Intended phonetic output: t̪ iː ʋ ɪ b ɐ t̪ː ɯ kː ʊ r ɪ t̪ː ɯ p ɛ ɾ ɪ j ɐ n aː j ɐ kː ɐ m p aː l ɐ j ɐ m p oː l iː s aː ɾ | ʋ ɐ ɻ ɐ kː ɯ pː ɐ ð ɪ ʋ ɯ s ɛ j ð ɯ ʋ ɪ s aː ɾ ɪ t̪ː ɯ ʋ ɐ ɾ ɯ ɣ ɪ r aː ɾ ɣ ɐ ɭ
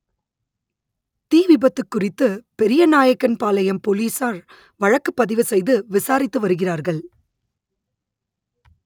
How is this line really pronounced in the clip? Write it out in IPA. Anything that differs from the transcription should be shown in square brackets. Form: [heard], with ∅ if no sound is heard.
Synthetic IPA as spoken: t̪ iː ʋ ɪ b ɐ t̪ː ɯ kː ʊ r ɪ t̪ː ɯ p ɛ ɾ ɪ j ɐ n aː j ɐ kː ɐ [n] p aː l ɐ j ɐ m p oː l iː s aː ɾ | ʋ ɐ ɻ ɐ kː ɯ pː ɐ ð ɪ ʋ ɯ s ɛ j ð ɯ ʋ ɪ s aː ɾ ɪ t̪ː ɯ ʋ ɐ ɾ ɯ ɣ ɪ r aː ɾ ɣ ɐ ɭ